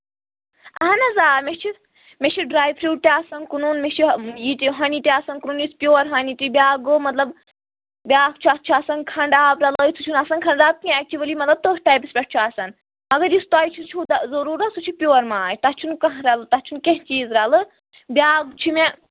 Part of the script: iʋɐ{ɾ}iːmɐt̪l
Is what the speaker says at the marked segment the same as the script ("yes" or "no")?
no